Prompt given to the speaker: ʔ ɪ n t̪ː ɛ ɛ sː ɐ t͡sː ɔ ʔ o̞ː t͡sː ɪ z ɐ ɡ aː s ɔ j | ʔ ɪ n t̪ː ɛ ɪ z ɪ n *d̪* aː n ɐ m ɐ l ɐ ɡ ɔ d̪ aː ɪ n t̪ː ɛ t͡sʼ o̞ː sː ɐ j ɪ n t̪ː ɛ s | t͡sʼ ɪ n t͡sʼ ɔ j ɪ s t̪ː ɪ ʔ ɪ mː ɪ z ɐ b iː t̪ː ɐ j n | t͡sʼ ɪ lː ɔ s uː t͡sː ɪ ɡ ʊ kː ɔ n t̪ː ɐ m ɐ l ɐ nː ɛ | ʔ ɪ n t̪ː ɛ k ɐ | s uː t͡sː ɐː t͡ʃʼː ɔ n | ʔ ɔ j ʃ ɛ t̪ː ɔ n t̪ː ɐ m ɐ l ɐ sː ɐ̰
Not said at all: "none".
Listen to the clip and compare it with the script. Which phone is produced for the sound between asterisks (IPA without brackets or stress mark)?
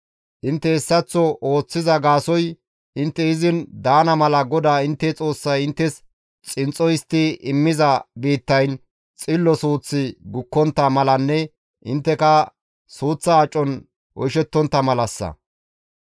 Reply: d̪